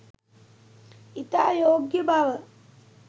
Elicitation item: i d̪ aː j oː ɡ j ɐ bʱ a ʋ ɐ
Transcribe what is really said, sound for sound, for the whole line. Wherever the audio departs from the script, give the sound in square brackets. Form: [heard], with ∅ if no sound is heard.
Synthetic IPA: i [t̪] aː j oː ɡ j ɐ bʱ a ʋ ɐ